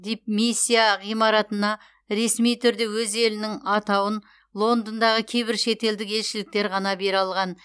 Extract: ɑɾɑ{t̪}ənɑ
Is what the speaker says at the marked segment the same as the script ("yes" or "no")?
yes